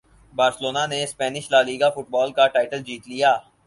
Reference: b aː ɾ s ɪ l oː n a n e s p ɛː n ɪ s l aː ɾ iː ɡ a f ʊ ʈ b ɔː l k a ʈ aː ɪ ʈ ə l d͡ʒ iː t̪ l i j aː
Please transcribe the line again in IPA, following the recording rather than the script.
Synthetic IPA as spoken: b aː ɾ s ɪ l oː n a n e s p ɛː n ɪ ʃ l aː l iː ɡ a f ʊ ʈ b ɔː l k a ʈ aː ɪ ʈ ə l d͡ʒ iː t̪ l i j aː